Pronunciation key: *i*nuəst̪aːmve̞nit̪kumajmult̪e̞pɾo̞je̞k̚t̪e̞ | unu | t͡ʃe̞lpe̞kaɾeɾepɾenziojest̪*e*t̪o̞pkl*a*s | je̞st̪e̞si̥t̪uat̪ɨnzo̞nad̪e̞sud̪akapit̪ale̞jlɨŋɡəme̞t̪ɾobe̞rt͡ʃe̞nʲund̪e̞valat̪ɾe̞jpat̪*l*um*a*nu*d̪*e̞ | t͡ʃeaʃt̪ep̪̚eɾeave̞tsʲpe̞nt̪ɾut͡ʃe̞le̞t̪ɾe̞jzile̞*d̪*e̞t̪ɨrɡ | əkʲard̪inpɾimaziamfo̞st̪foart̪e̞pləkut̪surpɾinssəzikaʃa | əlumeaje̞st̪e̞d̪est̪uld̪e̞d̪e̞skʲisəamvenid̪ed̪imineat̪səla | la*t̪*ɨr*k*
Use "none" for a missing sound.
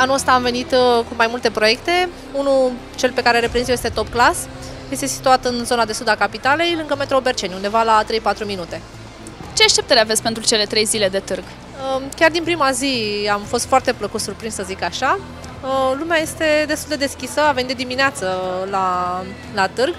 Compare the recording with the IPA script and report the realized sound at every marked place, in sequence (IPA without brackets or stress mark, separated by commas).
a, e, a, ɾ, i, t̪, d̪, t̪, ɡ